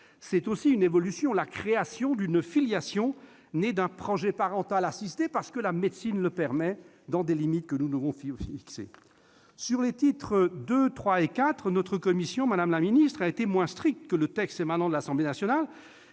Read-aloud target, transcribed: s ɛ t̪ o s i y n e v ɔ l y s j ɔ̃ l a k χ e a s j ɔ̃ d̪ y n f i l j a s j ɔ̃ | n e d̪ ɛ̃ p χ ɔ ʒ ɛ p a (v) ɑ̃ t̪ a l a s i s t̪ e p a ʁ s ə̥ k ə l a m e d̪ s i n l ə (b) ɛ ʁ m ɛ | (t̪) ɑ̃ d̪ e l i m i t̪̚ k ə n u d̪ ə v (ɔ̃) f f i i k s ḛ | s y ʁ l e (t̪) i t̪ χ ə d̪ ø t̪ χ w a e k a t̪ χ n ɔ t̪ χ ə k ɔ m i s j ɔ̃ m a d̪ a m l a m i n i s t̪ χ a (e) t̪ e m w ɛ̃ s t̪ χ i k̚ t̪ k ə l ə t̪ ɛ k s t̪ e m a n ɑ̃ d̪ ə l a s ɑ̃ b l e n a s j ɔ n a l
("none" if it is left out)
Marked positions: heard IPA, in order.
ʁ, p, d̪, ɔ̃, t̪, e

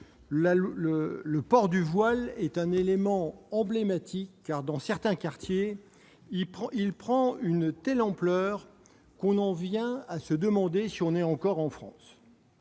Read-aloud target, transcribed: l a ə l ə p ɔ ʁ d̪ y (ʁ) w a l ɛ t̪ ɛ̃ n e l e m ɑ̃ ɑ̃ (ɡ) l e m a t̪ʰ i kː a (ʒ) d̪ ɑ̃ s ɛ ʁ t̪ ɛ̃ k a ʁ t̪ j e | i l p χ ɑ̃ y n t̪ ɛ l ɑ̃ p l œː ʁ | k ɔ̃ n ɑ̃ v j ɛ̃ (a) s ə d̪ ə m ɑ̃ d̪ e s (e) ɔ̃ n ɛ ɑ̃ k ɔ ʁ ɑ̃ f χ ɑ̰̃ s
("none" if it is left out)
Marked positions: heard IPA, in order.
v, b, ʁ, a, i

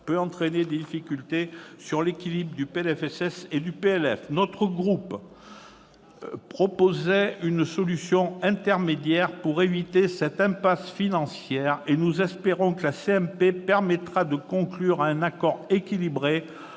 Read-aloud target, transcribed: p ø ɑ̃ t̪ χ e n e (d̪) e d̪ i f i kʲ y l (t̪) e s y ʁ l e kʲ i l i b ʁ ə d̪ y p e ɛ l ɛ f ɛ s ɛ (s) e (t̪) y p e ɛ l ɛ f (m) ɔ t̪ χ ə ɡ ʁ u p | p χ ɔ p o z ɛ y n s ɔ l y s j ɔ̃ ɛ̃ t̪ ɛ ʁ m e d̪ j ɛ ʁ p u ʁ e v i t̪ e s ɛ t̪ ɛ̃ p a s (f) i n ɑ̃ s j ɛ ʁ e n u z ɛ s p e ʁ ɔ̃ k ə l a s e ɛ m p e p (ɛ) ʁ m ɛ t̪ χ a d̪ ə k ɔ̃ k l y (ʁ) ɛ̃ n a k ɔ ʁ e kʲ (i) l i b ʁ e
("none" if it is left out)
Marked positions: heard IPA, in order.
d̪, t̪, s, d̪, n, f, ɛ, ʁ, i

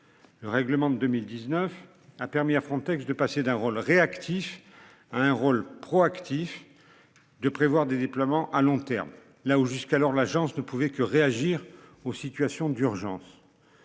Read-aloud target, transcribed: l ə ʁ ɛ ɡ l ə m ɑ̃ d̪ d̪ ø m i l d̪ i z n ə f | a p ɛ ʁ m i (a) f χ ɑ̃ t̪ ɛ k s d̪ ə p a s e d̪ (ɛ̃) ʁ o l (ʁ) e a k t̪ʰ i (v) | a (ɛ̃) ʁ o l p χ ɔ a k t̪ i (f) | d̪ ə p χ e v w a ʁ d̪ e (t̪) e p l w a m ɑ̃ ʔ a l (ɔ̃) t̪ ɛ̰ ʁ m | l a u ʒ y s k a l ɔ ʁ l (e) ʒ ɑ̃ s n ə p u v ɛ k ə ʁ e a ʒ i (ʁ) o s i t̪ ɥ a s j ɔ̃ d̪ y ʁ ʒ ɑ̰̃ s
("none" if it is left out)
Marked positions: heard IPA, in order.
a, ɛ̃, ʁ, f, ɛ̃, f, d̪, ɔ̃, a, ʁ

